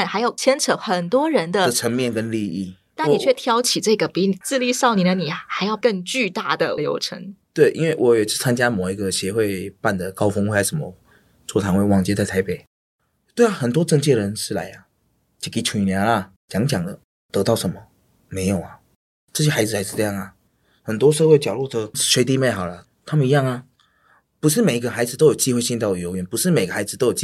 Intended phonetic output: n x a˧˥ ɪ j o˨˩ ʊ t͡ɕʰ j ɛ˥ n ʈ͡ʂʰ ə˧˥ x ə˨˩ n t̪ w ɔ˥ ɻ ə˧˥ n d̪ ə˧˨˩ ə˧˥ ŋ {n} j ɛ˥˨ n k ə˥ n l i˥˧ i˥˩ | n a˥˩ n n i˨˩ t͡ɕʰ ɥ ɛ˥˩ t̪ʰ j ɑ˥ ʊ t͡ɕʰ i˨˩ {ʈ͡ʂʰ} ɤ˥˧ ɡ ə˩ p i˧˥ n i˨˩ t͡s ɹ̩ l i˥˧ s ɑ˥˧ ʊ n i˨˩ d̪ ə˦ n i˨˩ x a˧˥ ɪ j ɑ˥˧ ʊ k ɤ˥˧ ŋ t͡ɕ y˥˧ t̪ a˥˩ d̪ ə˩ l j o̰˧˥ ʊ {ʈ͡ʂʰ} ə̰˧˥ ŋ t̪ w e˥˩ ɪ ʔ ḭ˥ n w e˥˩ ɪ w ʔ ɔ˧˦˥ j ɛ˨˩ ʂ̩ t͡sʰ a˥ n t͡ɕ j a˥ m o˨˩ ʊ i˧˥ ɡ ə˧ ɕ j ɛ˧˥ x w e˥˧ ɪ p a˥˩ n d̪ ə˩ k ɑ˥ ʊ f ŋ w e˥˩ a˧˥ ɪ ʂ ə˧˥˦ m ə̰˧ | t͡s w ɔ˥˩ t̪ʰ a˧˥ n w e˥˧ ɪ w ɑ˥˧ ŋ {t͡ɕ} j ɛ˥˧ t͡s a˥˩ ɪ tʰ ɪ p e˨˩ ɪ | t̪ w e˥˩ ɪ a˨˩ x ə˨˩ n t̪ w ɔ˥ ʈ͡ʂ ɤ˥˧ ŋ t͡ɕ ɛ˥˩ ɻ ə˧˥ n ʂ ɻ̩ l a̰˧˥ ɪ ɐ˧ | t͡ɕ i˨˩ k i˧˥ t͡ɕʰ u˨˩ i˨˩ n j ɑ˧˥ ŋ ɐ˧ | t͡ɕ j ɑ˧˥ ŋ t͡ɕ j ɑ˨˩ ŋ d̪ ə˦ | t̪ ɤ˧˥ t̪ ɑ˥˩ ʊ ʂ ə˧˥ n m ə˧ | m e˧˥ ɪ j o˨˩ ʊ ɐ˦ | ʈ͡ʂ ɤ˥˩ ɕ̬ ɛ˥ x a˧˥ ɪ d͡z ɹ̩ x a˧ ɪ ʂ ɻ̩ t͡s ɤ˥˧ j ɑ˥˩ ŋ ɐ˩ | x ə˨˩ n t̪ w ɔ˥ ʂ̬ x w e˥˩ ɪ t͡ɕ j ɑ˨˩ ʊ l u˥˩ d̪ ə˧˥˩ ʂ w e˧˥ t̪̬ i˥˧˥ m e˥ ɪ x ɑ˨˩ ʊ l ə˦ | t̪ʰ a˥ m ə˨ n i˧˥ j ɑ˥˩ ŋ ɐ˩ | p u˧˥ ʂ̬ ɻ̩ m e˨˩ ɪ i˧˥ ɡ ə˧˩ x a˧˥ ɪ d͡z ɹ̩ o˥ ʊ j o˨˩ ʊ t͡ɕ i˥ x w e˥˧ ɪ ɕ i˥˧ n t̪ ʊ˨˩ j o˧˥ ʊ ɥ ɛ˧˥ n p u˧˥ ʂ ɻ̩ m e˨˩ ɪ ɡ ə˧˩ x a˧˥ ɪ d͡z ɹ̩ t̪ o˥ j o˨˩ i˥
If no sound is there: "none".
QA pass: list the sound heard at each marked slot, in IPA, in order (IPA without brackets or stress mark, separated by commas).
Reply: m, ʈ͡ʂ, ʈ͡ʂʰ, t͡ɕ